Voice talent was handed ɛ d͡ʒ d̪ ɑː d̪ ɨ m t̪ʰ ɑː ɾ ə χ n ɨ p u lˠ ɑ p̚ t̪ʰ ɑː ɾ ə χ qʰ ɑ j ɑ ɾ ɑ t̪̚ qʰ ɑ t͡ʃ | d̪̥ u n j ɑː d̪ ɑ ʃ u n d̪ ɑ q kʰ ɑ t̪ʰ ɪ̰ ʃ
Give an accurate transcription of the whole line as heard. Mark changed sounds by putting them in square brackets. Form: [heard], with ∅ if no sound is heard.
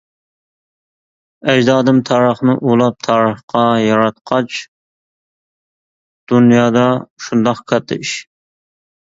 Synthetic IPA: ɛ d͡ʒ d̪ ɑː d̪ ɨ m t̪ʰ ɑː ɾ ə χ n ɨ [ʔ] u lˠ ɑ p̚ t̪ʰ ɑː ɾ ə χ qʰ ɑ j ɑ ɾ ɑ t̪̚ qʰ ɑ t͡ʃ | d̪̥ u n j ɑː d̪ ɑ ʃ u n d̪ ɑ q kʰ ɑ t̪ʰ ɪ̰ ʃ